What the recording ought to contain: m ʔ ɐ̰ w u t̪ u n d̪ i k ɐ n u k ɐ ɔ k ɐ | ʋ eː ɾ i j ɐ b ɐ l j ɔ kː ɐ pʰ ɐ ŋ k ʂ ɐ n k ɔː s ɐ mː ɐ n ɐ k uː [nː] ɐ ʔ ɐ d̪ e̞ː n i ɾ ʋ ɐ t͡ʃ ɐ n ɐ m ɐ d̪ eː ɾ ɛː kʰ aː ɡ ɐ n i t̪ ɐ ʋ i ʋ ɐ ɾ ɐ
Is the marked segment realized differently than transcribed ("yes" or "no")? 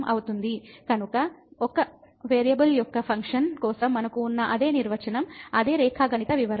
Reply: no